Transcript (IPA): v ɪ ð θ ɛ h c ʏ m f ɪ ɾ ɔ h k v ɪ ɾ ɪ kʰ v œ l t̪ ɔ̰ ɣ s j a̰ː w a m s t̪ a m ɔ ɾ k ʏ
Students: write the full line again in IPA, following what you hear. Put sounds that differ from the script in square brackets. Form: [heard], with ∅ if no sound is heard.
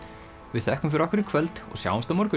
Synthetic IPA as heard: v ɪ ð θ ɛ h [k] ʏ m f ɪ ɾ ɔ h k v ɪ ɾ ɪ kʰ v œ l t̪ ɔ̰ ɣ s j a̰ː w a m s t̪ a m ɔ ɾ k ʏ